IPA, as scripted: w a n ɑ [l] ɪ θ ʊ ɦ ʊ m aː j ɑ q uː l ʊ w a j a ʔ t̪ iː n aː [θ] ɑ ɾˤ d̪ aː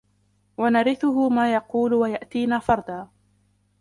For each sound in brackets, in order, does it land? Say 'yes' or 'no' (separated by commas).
no, no